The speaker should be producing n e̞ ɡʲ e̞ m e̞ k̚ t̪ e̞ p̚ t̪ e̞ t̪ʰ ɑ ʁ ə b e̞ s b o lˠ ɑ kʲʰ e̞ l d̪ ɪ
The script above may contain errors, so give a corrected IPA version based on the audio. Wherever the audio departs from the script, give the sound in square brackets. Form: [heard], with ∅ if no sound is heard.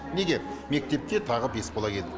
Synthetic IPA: n e̞ ɡʲ e̞ m e̞ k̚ t̪ e̞ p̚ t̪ e̞ t̪ʰ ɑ ʁ ə b e̞ s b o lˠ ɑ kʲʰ e̞ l d̪ ɪ